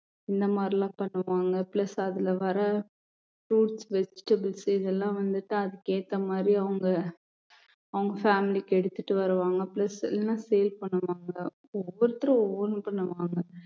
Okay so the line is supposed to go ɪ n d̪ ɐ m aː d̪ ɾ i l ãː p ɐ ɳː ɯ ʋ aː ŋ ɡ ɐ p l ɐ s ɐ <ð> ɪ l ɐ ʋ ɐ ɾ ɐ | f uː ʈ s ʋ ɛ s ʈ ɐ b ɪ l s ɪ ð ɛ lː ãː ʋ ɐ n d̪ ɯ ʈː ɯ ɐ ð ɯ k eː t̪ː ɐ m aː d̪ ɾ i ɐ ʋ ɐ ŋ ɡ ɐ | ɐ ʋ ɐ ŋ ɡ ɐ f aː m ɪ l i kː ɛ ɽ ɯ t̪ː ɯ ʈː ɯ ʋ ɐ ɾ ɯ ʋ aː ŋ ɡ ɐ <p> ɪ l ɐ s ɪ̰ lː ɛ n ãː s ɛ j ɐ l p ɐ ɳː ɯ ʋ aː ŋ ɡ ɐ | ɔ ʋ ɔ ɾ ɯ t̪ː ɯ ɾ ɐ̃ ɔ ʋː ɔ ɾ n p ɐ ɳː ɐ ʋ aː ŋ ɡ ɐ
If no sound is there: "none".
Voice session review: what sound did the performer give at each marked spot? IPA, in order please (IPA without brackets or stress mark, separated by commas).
ð, p